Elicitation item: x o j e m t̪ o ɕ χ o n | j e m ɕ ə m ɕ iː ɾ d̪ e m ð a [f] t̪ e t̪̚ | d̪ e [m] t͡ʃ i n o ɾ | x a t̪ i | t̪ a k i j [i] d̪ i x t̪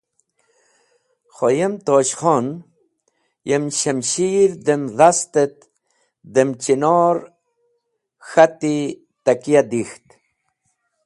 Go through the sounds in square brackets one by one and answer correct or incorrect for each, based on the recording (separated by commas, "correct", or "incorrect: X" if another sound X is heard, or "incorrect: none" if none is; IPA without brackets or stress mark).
incorrect: s, correct, incorrect: a